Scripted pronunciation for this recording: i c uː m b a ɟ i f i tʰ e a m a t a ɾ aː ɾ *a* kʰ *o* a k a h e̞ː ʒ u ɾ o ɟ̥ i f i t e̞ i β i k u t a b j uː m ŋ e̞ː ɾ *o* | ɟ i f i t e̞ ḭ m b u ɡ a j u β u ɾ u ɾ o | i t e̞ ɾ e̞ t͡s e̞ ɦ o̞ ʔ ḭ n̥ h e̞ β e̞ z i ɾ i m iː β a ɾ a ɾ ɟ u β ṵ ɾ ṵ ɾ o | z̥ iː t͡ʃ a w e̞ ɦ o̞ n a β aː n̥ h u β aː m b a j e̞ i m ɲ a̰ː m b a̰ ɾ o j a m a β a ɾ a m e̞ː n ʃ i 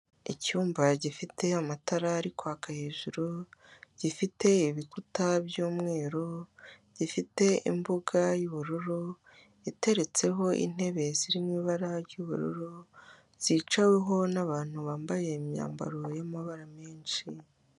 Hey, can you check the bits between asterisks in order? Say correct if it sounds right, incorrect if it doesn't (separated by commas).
incorrect, correct, correct